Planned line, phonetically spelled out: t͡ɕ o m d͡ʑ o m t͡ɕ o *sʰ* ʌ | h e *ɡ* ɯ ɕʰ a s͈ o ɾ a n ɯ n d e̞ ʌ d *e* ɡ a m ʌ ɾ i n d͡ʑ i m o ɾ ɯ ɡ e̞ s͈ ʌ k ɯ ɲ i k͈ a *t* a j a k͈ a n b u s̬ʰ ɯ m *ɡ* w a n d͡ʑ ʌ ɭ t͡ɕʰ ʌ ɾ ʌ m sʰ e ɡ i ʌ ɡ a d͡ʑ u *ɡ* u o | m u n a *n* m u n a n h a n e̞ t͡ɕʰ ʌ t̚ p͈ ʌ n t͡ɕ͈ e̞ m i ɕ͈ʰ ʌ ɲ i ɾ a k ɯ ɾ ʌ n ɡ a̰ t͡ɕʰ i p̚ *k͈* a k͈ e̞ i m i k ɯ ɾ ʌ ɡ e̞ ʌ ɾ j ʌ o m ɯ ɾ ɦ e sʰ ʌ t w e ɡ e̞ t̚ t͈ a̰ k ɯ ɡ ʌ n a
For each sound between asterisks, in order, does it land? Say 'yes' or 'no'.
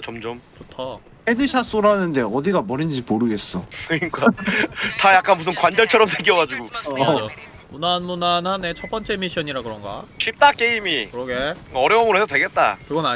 no, no, no, yes, no, yes, yes, no

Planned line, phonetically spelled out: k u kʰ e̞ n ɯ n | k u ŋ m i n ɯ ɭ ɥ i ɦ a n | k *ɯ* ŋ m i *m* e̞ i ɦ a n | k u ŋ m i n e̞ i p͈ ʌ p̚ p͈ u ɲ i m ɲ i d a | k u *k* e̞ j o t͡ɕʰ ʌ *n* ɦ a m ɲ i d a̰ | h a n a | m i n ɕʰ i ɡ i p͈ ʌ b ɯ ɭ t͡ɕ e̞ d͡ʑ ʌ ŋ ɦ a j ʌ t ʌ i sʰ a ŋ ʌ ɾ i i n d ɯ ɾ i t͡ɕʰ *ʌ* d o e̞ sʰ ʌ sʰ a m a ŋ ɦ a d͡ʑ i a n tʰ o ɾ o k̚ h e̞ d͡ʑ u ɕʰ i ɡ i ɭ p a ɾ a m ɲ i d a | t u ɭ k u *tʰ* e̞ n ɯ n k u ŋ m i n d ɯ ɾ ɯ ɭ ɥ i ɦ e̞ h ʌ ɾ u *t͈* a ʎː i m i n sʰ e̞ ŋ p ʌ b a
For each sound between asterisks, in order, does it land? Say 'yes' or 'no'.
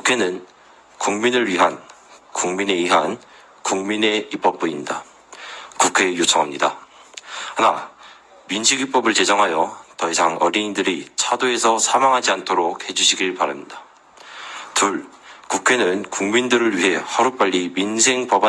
no, no, no, no, no, no, no

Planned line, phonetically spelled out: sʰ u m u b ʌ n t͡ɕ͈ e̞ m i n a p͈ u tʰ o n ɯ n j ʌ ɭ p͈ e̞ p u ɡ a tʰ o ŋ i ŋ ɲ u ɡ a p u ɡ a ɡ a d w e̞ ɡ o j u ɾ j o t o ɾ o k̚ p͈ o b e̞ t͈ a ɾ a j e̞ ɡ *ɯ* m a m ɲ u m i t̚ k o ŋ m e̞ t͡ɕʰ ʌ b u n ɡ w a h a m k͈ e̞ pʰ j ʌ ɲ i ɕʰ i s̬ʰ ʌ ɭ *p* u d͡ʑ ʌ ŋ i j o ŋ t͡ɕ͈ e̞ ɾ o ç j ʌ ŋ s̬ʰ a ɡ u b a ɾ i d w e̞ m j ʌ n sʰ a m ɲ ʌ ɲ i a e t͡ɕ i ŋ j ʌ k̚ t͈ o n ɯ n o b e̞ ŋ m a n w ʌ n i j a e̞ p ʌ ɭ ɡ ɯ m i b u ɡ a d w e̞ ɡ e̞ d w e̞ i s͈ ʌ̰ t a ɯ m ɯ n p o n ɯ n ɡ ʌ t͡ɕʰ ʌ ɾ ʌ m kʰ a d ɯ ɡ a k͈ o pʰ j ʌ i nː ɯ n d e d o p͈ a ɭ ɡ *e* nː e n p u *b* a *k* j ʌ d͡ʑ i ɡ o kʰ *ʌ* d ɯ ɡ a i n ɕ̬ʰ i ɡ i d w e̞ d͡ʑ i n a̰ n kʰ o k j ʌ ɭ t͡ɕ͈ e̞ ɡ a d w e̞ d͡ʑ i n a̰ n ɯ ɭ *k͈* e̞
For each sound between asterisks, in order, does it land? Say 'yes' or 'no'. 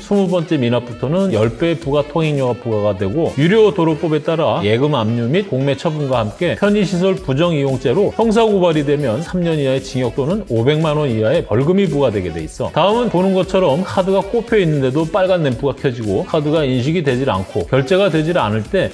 yes, yes, no, no, no, no, no

